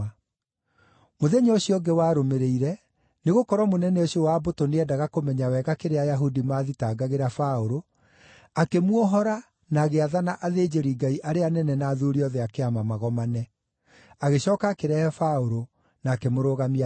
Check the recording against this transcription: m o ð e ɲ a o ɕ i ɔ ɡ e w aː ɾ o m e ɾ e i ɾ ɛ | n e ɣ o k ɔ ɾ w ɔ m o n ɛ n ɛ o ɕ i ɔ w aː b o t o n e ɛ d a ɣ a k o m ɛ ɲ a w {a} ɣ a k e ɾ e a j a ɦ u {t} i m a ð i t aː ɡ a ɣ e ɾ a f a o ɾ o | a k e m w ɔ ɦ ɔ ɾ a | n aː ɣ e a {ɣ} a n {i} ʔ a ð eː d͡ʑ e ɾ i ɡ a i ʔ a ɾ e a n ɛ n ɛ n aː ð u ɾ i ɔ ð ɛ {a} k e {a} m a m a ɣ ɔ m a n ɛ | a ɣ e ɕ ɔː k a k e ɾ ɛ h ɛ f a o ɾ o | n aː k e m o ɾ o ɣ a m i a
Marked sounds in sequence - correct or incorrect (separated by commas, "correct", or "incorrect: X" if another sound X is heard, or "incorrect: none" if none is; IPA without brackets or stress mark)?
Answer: incorrect: ɛ, incorrect: d, incorrect: ð, incorrect: a, correct, correct